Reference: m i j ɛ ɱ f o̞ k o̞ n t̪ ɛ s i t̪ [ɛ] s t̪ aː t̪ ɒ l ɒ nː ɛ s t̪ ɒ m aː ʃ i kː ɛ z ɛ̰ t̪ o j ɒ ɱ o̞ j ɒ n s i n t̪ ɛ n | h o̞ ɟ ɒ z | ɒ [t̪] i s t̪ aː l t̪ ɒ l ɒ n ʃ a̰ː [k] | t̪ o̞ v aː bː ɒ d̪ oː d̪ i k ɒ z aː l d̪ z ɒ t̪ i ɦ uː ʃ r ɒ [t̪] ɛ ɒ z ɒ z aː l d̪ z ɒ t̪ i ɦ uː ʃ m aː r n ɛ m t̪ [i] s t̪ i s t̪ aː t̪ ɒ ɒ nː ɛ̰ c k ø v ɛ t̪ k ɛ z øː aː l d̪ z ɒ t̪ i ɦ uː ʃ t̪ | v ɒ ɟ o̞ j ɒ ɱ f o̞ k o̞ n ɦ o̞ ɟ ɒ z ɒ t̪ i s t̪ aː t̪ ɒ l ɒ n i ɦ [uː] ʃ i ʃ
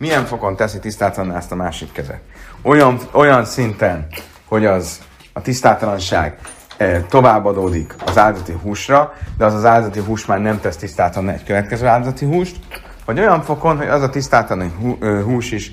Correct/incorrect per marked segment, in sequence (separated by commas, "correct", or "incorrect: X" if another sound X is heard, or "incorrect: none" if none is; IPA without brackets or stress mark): incorrect: i, correct, incorrect: ɡ, incorrect: d̪, incorrect: ɛ, correct